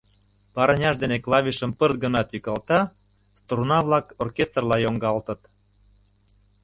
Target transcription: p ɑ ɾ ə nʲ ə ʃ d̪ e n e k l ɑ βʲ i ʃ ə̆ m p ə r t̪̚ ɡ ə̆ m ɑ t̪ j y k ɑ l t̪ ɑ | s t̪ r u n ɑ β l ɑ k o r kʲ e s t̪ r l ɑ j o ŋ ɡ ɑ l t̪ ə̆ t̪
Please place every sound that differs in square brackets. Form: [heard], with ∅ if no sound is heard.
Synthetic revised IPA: p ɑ ɾ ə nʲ [ɑ] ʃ d̪ e n e k l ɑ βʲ i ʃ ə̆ m p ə r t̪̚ ɡ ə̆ [n] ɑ t̪ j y k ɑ l t̪ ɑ | s t̪ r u n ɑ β l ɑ k o r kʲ e s t̪ r l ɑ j o ŋ ɡ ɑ l t̪ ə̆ t̪